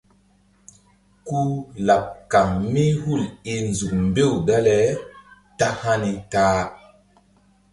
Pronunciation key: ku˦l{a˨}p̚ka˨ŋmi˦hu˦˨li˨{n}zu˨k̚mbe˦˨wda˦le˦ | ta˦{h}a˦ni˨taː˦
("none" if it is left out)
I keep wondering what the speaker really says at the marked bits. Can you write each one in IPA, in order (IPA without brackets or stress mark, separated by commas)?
a˨, n, h